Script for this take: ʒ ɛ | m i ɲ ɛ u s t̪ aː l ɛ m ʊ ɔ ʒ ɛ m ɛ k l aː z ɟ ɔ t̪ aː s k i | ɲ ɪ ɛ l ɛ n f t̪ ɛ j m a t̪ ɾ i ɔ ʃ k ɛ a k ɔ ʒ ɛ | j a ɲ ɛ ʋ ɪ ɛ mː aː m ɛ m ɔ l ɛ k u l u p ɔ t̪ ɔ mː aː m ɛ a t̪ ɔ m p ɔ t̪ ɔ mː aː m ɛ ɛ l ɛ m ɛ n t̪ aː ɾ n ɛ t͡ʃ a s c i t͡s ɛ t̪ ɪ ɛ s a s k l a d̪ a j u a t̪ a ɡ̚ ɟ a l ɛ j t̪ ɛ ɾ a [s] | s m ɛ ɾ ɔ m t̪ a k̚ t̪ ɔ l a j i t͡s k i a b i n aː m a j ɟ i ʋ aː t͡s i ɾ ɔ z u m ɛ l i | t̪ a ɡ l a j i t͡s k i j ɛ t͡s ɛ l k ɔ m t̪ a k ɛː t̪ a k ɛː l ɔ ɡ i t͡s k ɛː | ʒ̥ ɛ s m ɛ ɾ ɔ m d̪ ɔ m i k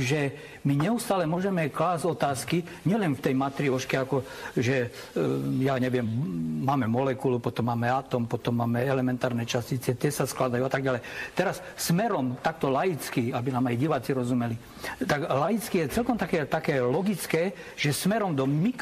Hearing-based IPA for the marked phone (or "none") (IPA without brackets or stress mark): s